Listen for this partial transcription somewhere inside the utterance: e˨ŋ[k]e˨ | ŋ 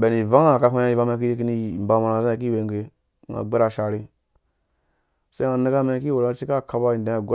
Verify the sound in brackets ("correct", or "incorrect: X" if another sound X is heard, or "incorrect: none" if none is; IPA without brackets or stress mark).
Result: incorrect: ɡ